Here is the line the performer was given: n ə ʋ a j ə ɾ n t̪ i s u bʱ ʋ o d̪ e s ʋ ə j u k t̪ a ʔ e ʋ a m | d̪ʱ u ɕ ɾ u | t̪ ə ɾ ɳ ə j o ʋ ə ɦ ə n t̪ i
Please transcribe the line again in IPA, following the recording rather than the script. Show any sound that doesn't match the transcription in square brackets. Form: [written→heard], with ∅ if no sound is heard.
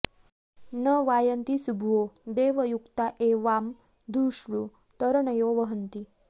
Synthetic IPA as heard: n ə ʋ a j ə [ɾ→∅] n t̪ i s u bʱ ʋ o d̪ e [s→∅] ʋ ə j u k t̪ a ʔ e ʋ a m | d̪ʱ u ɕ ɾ u | t̪ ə ɾ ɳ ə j o ʋ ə ɦ ə n t̪ i